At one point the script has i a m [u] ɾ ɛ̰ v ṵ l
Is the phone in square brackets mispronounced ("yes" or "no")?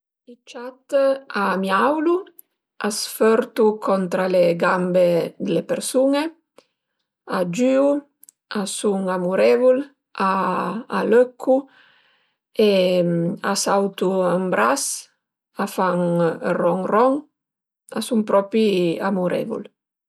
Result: no